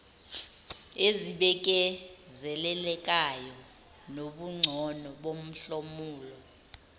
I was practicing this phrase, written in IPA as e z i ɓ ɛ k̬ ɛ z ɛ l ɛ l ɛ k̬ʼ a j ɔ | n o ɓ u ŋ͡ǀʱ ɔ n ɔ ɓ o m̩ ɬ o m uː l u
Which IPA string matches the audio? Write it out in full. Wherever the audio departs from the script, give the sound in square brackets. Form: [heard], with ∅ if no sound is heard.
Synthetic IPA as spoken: e z i ɓ ɛ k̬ ɛ z ɛ l ɛ l ɛ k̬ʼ a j ɔ | n o ɓ u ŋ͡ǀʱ ɔ n ɔ ɓ o m̩ ɬ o m uː l [ɔ]